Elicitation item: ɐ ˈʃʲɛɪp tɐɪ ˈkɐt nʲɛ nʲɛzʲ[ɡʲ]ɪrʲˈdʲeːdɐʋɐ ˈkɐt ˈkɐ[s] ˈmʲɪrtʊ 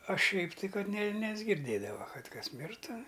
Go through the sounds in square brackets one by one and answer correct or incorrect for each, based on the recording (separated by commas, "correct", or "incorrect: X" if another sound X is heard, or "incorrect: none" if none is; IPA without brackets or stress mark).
correct, correct